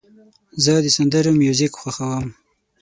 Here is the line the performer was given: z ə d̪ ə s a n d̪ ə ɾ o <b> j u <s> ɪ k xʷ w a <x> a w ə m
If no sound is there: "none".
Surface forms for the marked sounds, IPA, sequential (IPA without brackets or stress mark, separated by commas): m, z, x